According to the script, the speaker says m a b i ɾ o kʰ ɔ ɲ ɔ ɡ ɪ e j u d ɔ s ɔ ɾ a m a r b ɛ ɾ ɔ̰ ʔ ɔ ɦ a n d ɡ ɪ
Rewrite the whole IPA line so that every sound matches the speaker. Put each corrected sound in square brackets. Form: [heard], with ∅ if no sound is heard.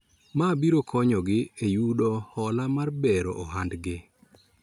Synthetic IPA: m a b i ɾ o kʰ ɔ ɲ ɔ ɡ ɪ e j u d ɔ [h] ɔ [l] a m a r b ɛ ɾ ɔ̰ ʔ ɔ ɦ a n d ɡ ɪ